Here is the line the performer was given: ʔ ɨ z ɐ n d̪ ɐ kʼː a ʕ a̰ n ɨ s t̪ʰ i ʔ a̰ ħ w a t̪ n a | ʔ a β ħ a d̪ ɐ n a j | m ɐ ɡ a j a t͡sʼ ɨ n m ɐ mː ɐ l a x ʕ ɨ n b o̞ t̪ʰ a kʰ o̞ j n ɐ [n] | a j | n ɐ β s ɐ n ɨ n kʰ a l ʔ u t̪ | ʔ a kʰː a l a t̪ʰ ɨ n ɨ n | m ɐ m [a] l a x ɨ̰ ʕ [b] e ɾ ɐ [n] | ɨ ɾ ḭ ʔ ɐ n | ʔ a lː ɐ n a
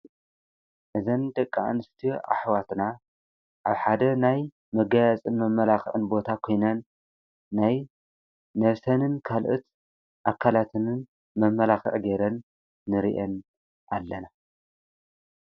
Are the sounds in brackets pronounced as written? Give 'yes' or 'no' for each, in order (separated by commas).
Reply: no, no, no, no